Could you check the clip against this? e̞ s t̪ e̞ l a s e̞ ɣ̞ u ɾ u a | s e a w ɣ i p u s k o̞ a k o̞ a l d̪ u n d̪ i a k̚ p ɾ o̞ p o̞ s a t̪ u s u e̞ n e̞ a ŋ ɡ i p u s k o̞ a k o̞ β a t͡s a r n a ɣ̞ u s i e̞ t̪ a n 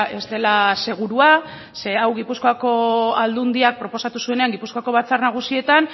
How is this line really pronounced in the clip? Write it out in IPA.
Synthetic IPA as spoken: e̞ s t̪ e̞ l a s e̞ ɣ̞ u ɾ u a | s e a w ɣ i p u s k o̞ a k o̞ a l d̪ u n d̪ i a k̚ p ɾ o̞ p o̞ s a t̪ u s u e̞ n e̞ a ŋ ɡ i p u s k o̞ a k o̞ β a t͡s a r n a ɣ̞ u s i e̞ t̪ a n